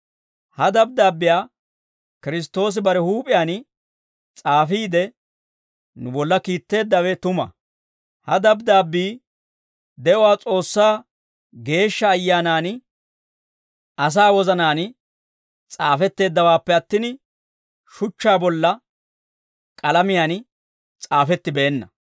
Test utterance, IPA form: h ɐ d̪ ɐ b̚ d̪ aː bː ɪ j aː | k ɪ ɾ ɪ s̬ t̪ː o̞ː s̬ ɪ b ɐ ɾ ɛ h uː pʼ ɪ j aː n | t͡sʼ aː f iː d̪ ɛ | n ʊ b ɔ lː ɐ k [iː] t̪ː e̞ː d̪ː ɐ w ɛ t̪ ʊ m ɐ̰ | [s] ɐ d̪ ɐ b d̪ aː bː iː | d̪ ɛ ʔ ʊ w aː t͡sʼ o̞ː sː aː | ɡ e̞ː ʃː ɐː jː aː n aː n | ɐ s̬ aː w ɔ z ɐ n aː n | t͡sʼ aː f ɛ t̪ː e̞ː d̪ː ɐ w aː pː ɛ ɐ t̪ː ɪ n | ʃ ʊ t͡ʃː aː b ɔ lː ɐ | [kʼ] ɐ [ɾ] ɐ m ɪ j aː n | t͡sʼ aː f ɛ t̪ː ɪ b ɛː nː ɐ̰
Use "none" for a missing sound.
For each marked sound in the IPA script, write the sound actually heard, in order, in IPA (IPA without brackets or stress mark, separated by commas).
iː, h, kʼ, l